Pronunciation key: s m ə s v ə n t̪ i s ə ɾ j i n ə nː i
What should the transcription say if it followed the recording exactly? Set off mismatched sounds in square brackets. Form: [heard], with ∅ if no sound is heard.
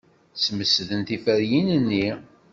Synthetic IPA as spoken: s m ə s [ð] ə n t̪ i [f] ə ɾ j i n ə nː i